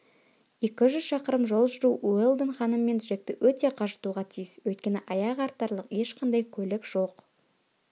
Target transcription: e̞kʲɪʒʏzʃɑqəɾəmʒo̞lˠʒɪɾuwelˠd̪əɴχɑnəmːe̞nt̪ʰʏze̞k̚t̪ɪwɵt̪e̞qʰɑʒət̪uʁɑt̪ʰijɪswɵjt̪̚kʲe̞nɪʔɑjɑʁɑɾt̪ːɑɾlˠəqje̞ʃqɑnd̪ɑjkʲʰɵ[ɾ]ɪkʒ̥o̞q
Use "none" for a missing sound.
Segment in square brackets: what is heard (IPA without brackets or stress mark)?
l